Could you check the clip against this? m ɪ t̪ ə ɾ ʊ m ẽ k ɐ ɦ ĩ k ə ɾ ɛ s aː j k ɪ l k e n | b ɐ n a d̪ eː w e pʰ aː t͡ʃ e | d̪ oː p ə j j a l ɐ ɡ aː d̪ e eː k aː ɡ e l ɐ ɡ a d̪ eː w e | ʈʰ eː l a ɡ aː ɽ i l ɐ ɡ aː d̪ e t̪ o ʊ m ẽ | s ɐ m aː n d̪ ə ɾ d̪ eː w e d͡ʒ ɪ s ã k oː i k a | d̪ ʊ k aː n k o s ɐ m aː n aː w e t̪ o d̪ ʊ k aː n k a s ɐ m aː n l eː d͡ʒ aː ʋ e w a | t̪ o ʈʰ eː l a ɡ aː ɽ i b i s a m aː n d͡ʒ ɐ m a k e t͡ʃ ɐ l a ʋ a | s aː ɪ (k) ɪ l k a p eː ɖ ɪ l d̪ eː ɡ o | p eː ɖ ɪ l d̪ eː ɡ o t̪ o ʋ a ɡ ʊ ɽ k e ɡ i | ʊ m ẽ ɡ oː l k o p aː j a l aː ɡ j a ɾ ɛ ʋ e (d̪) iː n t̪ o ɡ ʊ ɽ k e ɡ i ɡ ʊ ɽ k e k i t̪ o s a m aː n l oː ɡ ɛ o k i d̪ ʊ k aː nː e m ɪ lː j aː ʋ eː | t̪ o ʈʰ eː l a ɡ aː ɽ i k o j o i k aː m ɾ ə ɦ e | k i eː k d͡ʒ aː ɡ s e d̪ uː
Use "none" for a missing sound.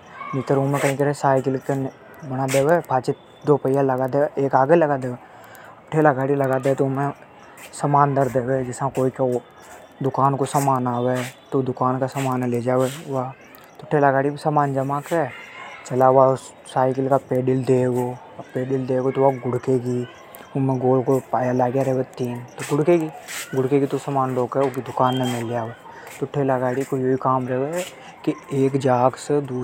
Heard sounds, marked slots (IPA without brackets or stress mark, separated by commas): k, t̪